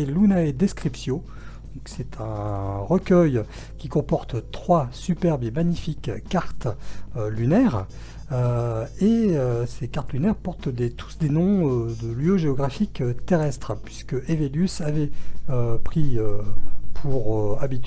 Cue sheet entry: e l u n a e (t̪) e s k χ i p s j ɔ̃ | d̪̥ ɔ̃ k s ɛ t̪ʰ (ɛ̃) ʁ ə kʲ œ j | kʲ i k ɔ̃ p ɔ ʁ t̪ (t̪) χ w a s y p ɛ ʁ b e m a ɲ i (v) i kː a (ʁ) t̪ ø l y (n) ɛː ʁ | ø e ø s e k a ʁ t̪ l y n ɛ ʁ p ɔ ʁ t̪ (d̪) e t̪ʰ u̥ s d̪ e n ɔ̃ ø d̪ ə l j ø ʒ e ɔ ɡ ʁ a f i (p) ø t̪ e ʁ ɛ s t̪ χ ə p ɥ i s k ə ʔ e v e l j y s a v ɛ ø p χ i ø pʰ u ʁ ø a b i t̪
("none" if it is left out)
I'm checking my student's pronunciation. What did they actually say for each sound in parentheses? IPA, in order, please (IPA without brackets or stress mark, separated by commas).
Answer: d̪, ɛ̃, t̪, f, ʁ, n, d̪, k